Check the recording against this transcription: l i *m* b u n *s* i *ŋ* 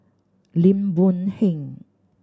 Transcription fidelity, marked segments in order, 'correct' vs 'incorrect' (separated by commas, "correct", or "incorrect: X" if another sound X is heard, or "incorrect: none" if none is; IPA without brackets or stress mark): correct, incorrect: h, correct